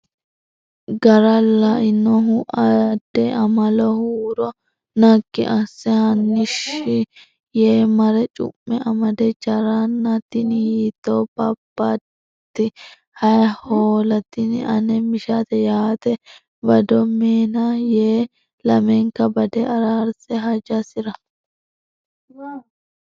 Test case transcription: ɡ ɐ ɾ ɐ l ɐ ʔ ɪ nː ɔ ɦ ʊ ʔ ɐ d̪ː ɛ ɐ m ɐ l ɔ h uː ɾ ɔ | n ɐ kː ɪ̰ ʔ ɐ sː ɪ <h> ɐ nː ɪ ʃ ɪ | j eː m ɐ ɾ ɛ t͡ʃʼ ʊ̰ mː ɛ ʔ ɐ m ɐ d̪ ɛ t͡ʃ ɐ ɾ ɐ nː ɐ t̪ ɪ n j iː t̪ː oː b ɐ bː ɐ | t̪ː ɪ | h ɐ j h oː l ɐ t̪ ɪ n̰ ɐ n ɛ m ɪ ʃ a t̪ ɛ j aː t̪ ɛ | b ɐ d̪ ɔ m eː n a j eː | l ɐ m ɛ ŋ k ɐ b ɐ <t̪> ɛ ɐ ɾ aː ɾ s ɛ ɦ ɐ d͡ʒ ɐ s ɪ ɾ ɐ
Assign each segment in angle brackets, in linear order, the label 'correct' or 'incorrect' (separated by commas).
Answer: correct, incorrect